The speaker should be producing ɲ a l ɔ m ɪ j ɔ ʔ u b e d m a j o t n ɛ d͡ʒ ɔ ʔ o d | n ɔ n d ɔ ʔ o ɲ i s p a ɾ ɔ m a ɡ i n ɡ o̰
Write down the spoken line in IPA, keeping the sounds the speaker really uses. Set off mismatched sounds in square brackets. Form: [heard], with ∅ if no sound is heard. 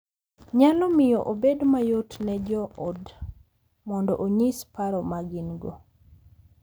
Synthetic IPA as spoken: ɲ a l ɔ m ɪ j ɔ ʔ [o] b e d m a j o t n ɛ d͡ʒ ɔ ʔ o d | [m] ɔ n d ɔ ʔ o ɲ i s p a ɾ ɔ m a ɡ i n ɡ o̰